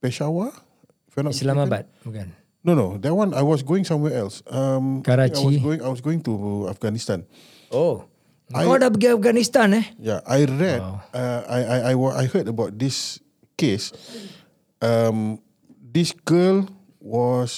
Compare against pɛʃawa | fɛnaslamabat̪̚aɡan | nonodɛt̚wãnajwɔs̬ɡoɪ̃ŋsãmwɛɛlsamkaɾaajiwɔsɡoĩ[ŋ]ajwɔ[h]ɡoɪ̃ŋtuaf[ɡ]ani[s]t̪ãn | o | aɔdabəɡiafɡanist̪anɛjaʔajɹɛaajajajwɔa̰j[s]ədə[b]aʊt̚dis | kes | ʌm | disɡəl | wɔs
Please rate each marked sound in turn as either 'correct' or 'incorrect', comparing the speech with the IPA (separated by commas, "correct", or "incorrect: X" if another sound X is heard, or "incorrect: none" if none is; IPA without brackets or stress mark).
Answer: correct, incorrect: s, correct, correct, incorrect: h, correct